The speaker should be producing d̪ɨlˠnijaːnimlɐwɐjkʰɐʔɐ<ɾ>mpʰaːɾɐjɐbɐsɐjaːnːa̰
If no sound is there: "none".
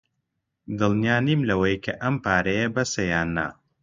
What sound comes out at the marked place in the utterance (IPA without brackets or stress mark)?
none